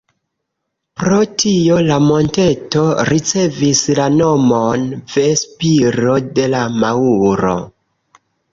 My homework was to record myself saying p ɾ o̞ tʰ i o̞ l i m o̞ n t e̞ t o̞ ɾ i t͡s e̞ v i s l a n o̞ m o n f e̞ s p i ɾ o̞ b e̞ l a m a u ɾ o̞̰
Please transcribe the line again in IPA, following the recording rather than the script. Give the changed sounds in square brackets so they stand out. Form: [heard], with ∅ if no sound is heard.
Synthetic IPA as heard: p ɾ o̞ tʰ i o̞ l [a] m o̞ n t e̞ t o̞ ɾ i t͡s e̞ v i s l a n o̞ m o n [v] e̞ s p i ɾ o̞ [d] e̞ l a m a u ɾ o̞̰